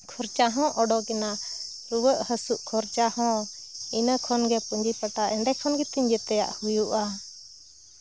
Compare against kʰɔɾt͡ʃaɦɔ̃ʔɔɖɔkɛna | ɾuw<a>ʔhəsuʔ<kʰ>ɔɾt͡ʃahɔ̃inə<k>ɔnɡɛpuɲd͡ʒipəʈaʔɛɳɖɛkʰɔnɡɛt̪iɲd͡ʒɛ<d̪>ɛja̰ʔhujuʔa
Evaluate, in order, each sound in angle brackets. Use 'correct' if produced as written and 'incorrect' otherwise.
incorrect: ə, correct, incorrect: kʰ, incorrect: t̪

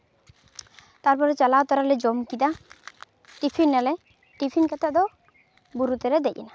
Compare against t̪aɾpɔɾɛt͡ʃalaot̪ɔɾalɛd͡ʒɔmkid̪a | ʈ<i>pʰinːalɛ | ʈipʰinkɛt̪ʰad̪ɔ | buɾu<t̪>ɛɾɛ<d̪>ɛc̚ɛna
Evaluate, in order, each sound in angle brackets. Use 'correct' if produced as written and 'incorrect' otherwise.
correct, correct, correct

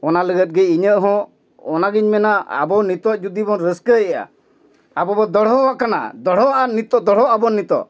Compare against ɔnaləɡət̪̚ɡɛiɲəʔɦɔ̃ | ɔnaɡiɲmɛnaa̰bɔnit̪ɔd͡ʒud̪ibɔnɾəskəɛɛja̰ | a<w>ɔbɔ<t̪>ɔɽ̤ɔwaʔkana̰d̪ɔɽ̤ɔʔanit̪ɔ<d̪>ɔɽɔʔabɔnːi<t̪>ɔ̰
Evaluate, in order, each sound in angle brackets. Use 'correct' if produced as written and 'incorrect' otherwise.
incorrect: b, incorrect: d̪, correct, correct

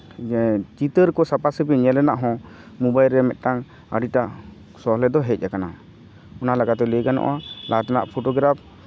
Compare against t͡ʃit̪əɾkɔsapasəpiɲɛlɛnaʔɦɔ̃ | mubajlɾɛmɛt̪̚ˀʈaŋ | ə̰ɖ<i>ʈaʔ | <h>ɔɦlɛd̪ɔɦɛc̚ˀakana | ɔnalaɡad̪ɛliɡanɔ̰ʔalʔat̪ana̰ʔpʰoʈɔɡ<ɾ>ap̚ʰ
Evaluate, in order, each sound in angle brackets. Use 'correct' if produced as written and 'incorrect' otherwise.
correct, incorrect: s, correct

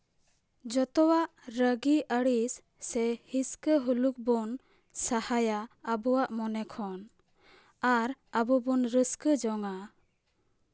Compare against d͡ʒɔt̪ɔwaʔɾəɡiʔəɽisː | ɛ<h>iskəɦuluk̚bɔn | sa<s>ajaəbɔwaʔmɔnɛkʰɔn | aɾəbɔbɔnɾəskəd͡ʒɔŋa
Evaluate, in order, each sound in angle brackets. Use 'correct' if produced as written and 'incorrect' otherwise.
correct, incorrect: h

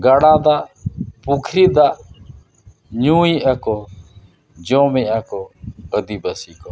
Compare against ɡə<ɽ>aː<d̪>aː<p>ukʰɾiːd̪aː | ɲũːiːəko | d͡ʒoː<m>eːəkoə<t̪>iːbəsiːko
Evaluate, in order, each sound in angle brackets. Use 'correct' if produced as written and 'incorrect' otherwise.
correct, correct, correct, correct, incorrect: d̪

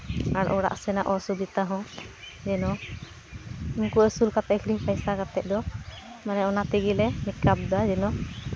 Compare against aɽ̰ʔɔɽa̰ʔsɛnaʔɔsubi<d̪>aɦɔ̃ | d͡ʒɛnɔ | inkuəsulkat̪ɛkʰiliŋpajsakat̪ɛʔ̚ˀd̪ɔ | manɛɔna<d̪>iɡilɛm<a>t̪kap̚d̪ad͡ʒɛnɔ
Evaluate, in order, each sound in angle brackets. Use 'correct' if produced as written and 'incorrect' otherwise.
incorrect: t̪, incorrect: t̪, incorrect: i

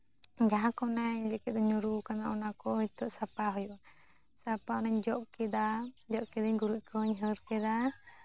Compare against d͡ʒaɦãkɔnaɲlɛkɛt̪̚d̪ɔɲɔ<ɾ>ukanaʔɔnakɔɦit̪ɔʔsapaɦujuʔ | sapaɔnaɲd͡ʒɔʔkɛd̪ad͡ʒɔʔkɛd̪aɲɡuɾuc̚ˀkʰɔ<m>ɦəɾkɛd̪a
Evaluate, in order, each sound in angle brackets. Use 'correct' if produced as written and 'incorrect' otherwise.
correct, incorrect: ɲ

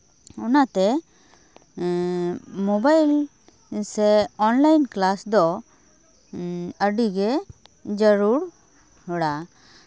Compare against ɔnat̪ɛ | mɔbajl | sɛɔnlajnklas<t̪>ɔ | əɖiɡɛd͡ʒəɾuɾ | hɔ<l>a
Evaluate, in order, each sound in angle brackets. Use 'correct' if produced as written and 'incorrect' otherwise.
incorrect: d̪, incorrect: ɽ

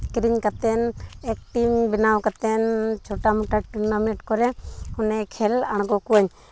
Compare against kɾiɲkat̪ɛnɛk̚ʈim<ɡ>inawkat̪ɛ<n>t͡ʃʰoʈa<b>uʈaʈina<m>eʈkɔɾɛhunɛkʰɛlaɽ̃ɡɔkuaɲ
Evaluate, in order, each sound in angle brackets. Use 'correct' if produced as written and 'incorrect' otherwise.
incorrect: b, correct, incorrect: m, correct

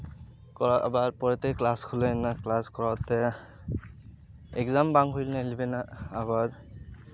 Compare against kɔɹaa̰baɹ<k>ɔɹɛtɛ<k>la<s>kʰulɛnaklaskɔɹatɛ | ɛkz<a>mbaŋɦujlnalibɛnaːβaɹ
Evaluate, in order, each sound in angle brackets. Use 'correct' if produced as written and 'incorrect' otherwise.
incorrect: p, correct, correct, correct

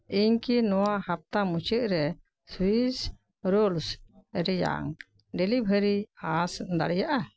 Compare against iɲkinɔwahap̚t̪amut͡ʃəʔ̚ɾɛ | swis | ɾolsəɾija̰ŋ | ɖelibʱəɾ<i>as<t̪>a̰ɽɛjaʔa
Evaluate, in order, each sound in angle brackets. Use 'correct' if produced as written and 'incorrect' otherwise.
correct, incorrect: d̪

